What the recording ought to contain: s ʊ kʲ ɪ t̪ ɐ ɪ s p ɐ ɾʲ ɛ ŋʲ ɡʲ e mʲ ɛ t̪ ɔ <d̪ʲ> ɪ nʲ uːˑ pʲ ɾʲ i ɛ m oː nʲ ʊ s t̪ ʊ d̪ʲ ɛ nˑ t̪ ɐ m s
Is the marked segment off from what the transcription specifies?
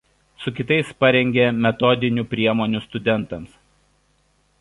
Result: no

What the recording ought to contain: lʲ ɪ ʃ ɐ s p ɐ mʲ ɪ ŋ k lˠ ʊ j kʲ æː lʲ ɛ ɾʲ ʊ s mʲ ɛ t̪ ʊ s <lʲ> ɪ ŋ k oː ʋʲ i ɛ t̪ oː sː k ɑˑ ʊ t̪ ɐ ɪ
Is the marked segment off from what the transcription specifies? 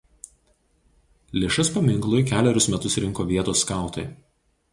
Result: yes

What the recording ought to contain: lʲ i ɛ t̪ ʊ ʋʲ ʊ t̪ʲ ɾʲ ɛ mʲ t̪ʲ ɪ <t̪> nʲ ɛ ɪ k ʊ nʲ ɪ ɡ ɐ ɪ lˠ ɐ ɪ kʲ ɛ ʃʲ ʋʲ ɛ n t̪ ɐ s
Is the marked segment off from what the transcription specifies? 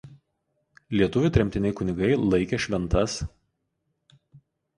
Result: yes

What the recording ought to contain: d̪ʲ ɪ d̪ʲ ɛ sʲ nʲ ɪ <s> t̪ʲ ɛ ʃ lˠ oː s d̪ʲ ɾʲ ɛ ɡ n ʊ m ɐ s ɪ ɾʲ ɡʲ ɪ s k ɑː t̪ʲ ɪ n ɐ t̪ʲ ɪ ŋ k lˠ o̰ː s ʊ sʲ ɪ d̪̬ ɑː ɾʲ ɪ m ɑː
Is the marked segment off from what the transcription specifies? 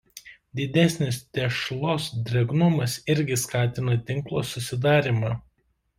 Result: no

